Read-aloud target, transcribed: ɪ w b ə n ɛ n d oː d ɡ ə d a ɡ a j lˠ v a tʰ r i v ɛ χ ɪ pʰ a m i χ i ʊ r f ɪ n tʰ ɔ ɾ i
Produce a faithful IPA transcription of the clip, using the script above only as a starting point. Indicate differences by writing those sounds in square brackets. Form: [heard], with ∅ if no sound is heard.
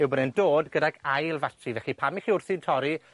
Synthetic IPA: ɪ w b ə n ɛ n d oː d ɡ ə d a ɡ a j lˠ v a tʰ r i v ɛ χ [i] pʰ a m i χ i ʊ r [θ] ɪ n tʰ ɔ ɾ i